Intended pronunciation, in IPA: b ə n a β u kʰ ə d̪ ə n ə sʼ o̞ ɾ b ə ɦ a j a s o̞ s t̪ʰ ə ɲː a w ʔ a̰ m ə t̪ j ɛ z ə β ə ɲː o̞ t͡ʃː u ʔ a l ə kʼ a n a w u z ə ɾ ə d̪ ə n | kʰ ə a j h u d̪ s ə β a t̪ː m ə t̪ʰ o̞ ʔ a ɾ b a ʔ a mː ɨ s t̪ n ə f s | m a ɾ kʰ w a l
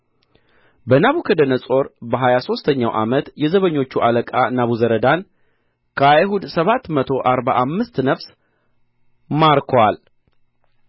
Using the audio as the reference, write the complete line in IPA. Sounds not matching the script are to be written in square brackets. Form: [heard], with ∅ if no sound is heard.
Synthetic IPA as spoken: b ə n a β u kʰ ə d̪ ə n ə sʼ o̞ ɾ b ə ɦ a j a s o̞ s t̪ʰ ə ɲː a w ʔ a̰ m ə t̪ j ɛ z ə β ə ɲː o̞ t͡ʃː u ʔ a l ə kʼ a n a [β] u z ə ɾ ə d̪ [a] n | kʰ ə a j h u d̪ s ə β a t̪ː m ə t̪ʰ o̞ ʔ a ɾ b a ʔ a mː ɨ s t̪ n ə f s | m a ɾ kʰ w a l